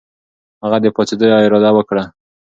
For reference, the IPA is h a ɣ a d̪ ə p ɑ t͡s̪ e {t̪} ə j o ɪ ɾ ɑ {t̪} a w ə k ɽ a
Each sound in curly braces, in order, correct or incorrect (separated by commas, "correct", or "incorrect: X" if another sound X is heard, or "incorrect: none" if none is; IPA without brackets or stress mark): incorrect: d̪, incorrect: d̪